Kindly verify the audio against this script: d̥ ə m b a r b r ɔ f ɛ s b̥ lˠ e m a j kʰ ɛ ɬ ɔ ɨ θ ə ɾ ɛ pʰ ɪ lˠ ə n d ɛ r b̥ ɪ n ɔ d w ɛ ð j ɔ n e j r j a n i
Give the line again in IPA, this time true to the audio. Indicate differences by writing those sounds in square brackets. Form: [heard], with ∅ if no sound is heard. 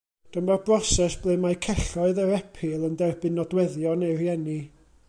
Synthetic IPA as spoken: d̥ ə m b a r b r ɔ [s] ɛ s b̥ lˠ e m a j kʰ ɛ ɬ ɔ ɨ [ð] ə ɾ ɛ pʰ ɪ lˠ ə n d ɛ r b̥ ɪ n ɔ d w ɛ ð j ɔ n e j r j [ɛ] n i